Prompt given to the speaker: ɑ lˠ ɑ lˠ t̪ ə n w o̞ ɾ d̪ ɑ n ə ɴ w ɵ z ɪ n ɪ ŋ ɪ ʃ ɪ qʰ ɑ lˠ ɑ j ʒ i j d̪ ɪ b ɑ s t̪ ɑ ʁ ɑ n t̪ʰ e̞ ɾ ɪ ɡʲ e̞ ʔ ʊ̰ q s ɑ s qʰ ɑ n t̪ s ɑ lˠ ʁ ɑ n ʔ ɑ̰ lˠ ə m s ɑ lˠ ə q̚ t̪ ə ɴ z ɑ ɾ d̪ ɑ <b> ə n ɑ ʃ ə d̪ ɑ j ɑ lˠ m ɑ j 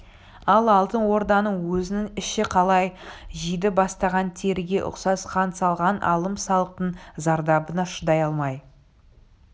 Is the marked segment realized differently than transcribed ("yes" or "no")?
no